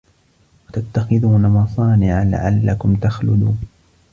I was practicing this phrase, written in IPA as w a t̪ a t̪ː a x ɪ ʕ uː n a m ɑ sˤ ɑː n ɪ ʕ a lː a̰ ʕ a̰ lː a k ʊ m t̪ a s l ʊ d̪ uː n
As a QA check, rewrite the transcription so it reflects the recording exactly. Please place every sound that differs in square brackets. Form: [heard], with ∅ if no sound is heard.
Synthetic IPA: w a t̪ a t̪ː a x ɪ [ð] uː n a m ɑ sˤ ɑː n ɪ ʕ a [l] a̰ ʕ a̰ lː a k ʊ m t̪ a [x] l ʊ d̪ uː n